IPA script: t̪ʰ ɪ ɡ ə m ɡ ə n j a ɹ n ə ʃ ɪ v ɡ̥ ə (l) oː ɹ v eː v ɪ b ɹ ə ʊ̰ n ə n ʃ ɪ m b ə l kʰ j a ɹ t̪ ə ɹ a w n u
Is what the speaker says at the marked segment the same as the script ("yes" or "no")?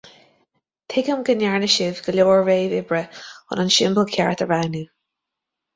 yes